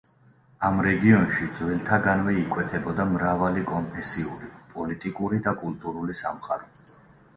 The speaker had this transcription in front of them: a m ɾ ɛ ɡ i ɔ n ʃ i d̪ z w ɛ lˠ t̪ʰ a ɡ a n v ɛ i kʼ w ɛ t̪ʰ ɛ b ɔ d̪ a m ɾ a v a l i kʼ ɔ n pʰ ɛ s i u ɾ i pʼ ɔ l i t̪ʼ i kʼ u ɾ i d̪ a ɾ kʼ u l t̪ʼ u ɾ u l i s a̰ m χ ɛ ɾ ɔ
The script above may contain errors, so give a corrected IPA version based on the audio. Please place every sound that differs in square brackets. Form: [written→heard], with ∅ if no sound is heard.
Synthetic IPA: a m ɾ ɛ ɡ i ɔ n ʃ i d̪ z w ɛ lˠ t̪ʰ a ɡ a n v ɛ i kʼ w ɛ t̪ʰ ɛ b ɔ d̪ a m ɾ a v a l i kʼ ɔ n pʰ ɛ s i u ɾ i pʼ ɔ l i t̪ʼ i kʼ u ɾ i d̪ a [ɾ→∅] kʼ u l t̪ʼ u ɾ u l i s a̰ m χ [ɛ→a] ɾ ɔ